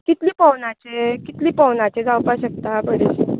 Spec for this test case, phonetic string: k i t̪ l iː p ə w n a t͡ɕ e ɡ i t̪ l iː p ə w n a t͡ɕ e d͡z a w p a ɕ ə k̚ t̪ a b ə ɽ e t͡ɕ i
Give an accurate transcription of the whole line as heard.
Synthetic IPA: k i t̪ l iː p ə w n a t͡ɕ e k i t̪ l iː p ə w n a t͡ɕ e d͡z a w p a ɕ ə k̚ t̪ a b ə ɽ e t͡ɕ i